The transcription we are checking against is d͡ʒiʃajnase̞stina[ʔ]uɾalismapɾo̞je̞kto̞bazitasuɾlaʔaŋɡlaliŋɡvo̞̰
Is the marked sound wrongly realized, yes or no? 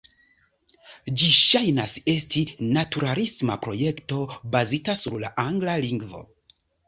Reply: yes